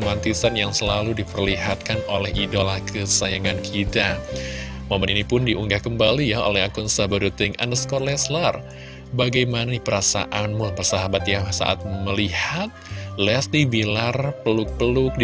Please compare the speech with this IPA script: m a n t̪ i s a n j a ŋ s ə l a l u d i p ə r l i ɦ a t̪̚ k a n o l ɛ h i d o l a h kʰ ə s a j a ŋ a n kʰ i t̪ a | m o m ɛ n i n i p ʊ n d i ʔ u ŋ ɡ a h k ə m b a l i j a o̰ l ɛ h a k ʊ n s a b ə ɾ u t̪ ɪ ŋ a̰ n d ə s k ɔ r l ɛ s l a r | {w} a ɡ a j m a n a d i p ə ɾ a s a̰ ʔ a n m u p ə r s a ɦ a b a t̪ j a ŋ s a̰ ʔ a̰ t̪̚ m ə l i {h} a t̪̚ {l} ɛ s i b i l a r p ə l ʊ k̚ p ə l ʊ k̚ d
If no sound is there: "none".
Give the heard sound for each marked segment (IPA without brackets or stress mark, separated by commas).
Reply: b, h, l